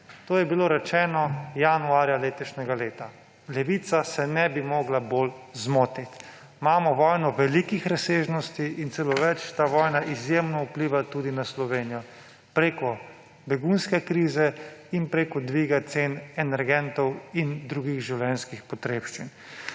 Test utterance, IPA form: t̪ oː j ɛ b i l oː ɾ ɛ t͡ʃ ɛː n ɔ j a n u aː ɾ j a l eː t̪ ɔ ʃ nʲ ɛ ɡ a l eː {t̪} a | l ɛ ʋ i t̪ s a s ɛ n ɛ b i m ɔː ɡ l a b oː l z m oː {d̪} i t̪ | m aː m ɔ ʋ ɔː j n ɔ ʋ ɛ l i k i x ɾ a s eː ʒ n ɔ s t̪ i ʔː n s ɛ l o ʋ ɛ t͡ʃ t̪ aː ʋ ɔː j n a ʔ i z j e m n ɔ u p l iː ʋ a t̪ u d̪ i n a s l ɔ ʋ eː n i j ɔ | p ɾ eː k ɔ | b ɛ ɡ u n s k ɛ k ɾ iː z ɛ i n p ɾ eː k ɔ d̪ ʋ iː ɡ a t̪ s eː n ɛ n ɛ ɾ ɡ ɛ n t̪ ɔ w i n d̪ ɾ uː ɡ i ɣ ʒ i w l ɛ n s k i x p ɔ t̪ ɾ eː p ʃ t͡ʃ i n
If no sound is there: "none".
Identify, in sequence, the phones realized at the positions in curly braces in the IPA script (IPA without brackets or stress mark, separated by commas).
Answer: t̪, t̪